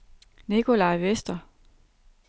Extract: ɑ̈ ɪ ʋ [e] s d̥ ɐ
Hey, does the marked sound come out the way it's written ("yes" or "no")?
yes